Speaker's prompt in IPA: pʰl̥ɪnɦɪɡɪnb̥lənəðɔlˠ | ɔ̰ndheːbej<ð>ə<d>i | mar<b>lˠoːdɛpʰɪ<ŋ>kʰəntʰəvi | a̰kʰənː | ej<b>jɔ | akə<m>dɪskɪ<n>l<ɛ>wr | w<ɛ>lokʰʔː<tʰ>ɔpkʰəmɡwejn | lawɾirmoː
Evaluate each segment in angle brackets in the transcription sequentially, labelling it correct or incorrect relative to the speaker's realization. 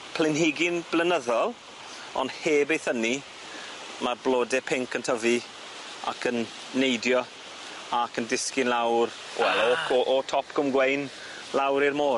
incorrect: θ, incorrect: n, correct, correct, incorrect: d, incorrect: n, correct, incorrect: a, correct, correct

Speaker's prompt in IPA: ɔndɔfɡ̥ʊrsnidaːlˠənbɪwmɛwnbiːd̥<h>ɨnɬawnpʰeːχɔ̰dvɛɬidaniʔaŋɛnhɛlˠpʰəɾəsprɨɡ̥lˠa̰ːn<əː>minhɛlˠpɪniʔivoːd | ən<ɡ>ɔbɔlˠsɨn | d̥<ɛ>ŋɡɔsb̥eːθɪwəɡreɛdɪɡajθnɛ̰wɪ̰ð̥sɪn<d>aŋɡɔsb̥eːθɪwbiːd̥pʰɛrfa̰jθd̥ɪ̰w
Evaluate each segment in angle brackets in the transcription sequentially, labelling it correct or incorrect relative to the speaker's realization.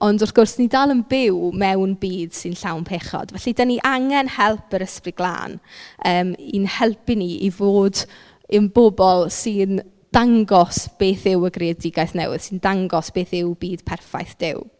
incorrect: s, correct, incorrect: b, incorrect: a, correct

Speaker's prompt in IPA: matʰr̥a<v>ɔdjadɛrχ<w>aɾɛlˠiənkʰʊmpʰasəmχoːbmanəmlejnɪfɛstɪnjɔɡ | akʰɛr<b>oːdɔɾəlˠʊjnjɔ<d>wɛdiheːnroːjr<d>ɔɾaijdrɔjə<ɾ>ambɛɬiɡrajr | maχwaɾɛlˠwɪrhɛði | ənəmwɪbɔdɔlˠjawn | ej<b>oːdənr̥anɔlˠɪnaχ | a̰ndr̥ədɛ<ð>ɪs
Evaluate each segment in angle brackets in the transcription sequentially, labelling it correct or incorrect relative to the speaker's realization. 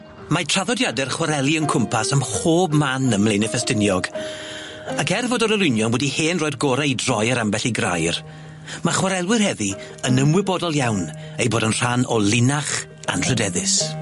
incorrect: ð, correct, incorrect: v, incorrect: n, incorrect: ɡ, correct, correct, correct

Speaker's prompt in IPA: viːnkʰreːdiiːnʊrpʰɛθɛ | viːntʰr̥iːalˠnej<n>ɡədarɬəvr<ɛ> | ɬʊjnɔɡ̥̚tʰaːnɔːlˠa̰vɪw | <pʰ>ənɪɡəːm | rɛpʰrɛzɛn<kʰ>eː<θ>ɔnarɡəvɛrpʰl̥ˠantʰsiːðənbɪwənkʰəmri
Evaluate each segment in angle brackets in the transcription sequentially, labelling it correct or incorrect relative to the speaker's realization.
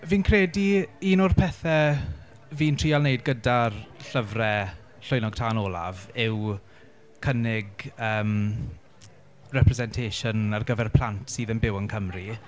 incorrect: d, correct, incorrect: kʰ, incorrect: tʰ, incorrect: ʃ

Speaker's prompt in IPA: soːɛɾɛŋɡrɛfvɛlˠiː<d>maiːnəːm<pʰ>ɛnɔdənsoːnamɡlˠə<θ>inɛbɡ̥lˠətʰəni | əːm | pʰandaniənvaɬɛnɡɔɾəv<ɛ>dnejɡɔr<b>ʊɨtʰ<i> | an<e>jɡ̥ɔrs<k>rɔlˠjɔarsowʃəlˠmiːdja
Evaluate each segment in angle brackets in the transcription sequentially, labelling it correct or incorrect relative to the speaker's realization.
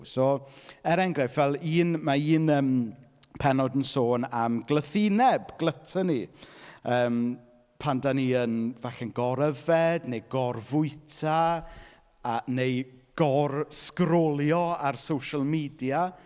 incorrect: n, correct, correct, correct, incorrect: v, incorrect: a, correct, correct

